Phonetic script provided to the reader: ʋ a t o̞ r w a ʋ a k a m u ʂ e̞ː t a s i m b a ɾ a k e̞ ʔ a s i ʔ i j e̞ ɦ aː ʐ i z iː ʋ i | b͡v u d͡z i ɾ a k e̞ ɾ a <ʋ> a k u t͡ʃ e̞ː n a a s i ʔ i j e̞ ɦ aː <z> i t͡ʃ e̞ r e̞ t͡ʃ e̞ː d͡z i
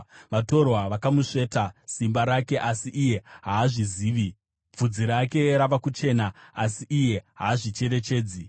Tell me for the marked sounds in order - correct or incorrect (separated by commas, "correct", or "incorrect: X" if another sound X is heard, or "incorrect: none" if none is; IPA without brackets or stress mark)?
correct, incorrect: ʐ